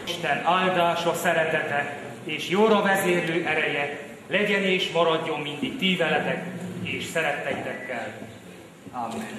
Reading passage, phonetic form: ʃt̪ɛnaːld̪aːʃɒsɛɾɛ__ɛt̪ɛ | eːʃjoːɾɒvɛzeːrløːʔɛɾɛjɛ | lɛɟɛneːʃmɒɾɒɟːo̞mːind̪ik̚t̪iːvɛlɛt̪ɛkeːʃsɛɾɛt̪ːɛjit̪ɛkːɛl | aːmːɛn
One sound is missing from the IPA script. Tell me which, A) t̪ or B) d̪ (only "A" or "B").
A